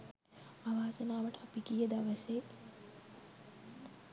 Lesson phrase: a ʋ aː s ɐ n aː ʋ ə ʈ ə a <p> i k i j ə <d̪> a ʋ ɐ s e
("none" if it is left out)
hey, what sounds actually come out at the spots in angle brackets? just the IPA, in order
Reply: p, d̪

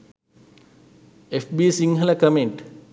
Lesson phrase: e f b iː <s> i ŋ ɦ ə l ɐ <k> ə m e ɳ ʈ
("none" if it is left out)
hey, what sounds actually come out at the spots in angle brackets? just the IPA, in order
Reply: s, k

